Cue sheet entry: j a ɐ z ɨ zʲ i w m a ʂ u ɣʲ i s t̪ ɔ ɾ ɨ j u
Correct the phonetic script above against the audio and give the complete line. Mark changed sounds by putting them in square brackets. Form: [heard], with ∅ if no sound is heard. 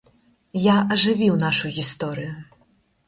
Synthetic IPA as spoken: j a ɐ [ʐ] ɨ [vʲ] i w [n] a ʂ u ɣʲ i s t̪ ɔ ɾ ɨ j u